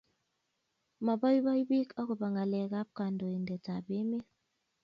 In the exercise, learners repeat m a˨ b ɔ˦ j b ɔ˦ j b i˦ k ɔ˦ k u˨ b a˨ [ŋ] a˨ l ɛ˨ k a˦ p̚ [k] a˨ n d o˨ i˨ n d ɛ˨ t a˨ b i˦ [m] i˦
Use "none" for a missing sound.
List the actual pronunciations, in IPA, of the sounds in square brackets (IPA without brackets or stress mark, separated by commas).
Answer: ŋ, k, m